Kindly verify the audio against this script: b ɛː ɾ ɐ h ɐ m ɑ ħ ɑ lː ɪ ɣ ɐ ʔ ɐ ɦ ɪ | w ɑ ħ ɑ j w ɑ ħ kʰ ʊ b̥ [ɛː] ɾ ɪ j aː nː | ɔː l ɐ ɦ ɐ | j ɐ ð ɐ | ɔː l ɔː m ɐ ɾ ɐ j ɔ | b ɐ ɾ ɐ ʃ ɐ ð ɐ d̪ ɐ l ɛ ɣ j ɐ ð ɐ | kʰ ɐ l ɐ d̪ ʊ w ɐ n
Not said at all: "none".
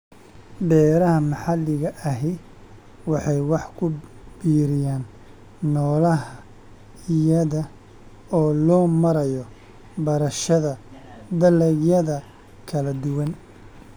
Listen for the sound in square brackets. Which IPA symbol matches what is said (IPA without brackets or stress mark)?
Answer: iː